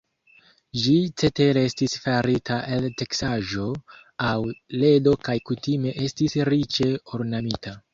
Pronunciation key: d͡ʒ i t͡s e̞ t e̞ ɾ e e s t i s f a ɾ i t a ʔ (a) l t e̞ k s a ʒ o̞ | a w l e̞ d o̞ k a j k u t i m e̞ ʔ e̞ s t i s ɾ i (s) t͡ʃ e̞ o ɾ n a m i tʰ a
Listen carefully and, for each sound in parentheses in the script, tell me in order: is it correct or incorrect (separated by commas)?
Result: incorrect, incorrect